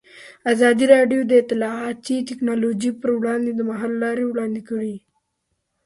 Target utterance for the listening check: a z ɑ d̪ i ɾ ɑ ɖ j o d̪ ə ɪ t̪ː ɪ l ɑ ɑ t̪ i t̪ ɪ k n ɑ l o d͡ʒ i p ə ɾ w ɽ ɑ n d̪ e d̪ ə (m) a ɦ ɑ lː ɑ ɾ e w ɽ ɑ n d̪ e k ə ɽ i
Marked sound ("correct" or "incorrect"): correct